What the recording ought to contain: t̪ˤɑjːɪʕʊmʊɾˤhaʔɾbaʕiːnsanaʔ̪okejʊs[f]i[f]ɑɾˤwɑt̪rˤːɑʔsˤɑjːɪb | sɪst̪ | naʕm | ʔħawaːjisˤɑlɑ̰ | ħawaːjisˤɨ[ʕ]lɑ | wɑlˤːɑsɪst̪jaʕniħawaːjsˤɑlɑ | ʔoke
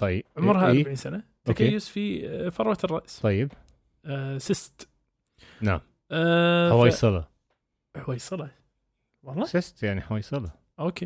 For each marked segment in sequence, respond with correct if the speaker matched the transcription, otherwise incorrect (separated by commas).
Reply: correct, correct, incorrect